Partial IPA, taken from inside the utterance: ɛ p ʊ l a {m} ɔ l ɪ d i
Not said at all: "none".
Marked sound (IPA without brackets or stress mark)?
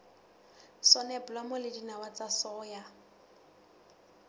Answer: m